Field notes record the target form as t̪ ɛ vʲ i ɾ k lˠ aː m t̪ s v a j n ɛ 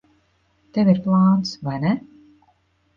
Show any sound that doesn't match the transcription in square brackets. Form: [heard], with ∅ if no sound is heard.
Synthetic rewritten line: t̪ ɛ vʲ i ɾ [p] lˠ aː [n] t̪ s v a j n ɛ